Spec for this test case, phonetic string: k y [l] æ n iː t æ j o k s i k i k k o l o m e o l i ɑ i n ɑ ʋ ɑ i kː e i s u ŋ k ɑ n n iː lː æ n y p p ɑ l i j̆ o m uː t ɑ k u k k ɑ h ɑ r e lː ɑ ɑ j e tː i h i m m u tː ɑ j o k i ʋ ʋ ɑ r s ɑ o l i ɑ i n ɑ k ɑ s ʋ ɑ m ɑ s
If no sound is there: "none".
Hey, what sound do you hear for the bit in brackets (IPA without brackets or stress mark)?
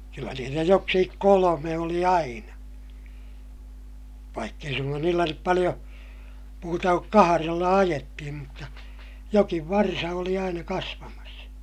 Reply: lː